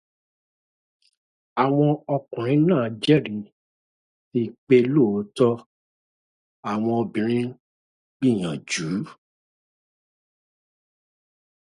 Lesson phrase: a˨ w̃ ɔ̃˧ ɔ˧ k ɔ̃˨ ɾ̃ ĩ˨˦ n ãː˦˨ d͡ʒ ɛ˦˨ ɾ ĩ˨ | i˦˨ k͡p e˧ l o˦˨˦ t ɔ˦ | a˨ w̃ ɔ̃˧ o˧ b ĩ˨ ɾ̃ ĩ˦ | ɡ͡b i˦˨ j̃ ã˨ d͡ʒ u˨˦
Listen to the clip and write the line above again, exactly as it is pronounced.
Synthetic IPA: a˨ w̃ ɔ̃˧ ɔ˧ k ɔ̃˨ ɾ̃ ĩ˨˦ n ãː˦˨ d͡ʒ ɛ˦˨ ɾ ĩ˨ | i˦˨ k͡p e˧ l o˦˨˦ t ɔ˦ | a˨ w̃ ɔ̃˧ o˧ b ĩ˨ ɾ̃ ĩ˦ | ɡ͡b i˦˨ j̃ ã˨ d͡ʒ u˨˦